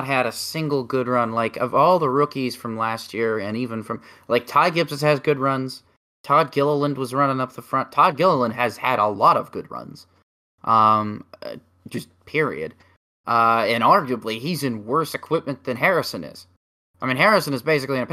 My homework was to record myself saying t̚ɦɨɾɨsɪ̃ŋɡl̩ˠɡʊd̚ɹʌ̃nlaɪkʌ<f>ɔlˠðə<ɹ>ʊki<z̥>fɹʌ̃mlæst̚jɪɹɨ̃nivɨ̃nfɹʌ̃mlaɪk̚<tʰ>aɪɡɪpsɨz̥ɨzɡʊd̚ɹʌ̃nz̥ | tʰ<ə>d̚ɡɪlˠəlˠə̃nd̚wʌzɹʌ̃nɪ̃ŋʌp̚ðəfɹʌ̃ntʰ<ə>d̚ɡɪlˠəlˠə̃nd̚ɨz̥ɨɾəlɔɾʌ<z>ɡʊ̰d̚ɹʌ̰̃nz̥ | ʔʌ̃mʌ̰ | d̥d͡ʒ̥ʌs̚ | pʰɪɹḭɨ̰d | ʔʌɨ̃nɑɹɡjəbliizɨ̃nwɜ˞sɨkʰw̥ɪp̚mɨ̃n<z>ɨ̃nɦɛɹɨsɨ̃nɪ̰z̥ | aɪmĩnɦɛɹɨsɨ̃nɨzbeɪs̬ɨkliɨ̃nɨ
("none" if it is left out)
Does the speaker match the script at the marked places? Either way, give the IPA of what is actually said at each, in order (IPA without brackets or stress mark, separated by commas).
v, ɹ, z̥, tʰ, ɑ, ɑ, v, ð